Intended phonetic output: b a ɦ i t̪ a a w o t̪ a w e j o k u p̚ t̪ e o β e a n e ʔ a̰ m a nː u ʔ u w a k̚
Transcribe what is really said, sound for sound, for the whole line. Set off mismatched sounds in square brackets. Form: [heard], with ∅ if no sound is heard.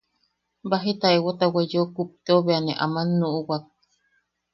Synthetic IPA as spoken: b a ɦ i t̪ a [e] w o t̪ a w e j o k u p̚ t̪ e o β e a n e ʔ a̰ m a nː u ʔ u w a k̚